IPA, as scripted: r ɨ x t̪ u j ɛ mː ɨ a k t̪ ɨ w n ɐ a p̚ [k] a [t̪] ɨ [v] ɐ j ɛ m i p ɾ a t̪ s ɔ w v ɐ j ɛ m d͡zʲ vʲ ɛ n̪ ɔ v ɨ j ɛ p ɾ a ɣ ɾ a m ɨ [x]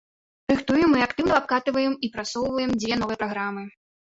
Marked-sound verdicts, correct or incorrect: correct, correct, correct, incorrect

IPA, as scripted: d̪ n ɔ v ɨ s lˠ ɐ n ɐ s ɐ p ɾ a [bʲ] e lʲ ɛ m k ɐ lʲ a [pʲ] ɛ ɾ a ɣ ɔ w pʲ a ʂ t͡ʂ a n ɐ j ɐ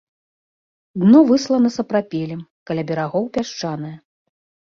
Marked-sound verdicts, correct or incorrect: incorrect, incorrect

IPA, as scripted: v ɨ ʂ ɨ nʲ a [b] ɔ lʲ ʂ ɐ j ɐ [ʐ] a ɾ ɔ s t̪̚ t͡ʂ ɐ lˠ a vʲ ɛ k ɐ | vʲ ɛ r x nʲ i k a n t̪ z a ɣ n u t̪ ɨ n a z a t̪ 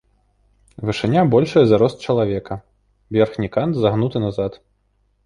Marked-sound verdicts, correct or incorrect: correct, incorrect

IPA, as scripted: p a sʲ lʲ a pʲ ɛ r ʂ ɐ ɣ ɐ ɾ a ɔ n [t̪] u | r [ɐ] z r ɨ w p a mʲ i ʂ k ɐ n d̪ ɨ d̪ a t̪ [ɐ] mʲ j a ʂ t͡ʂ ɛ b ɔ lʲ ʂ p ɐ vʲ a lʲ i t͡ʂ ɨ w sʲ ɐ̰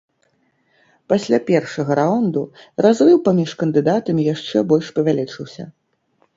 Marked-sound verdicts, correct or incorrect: incorrect, incorrect, correct

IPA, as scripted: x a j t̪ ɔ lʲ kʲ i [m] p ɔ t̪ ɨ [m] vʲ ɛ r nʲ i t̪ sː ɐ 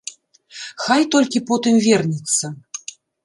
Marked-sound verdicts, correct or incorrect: incorrect, correct

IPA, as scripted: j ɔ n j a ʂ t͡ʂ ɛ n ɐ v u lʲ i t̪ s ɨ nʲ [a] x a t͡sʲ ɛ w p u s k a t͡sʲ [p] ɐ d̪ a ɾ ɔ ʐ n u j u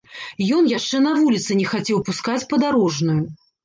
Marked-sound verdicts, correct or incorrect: incorrect, correct

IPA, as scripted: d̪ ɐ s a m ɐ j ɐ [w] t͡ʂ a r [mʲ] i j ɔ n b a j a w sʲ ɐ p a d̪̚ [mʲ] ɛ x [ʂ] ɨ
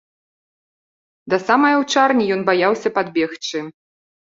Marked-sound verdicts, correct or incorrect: correct, incorrect, incorrect, incorrect

